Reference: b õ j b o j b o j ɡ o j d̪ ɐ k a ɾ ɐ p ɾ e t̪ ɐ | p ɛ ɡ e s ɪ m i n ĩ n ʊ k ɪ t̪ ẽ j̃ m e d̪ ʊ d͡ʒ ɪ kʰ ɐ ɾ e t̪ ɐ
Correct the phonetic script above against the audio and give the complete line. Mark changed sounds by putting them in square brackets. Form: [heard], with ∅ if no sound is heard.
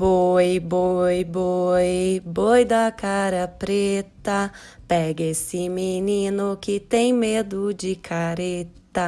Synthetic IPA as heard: b [o] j b o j b o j [b] o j d̪ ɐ k a ɾ ɐ p ɾ e t̪ ɐ | p ɛ ɡ e s ɪ m i n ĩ n ʊ k ɪ t̪ ẽ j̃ m e d̪ ʊ d͡ʒ ɪ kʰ [a] ɾ e t̪ ɐ